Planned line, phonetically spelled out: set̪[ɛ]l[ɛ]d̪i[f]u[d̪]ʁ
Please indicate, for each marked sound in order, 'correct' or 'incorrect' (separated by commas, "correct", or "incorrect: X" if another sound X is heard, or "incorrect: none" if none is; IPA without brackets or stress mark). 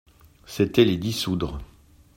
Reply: correct, incorrect: e, incorrect: s, correct